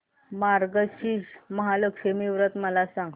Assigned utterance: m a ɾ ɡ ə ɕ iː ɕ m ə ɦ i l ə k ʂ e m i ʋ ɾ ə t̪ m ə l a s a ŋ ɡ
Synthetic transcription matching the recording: m a ɾ ɡ ə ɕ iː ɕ m ə ɦ a l ə k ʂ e m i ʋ ɾ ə t̪ m ə l a s a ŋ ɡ